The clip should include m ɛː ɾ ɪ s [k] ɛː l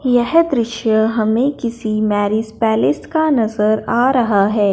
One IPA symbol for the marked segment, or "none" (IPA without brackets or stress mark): p